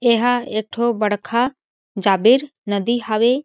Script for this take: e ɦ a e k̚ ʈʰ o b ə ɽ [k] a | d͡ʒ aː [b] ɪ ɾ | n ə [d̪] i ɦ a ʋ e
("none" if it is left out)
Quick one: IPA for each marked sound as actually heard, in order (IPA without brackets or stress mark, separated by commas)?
kʰ, b, d̪